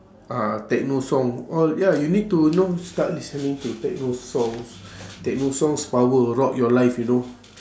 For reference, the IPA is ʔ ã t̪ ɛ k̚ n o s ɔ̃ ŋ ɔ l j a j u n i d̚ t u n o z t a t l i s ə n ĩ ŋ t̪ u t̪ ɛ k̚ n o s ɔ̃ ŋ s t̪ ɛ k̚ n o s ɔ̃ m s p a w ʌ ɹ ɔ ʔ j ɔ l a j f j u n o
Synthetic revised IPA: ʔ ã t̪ ɛ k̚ n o s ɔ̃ ŋ ɔ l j a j u n i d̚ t u n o s t a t l i s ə n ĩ ŋ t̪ u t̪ ɛ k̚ n o s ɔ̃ ŋ s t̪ ɛ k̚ n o s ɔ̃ ŋ s p a w ə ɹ ɔ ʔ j ɔ l a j f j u n o